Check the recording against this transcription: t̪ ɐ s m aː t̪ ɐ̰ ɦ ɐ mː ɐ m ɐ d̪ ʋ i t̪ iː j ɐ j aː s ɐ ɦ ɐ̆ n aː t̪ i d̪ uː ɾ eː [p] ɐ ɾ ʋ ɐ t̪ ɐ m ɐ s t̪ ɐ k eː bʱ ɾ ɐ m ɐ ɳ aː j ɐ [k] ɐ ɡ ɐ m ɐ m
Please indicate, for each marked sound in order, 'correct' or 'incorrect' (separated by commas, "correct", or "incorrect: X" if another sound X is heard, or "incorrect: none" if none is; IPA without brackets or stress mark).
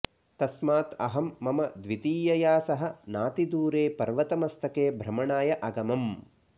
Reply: correct, incorrect: ʔ